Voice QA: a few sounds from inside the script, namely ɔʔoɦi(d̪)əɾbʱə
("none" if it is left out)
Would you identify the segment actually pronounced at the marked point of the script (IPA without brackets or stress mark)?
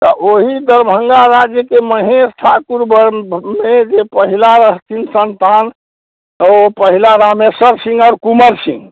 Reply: d̪